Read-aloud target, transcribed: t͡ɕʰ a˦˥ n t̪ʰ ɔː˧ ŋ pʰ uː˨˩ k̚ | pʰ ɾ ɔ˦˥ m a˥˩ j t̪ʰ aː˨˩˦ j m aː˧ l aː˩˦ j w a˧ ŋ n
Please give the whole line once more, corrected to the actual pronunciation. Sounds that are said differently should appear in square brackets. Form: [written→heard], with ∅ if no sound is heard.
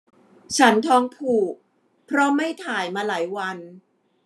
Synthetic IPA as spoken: t͡ɕʰ a˦˥ n t̪ʰ ɔː˧ ŋ pʰ uː˨˩ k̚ | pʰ ɾ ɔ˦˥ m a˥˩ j t̪ʰ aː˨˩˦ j m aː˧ l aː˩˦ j w a˧ [ŋ→∅] n